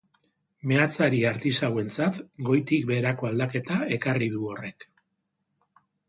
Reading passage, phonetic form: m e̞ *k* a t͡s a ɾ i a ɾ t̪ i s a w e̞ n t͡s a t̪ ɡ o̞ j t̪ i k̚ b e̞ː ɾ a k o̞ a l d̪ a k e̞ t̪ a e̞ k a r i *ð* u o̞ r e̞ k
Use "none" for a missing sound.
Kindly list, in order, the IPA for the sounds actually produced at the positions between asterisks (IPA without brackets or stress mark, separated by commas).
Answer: none, ð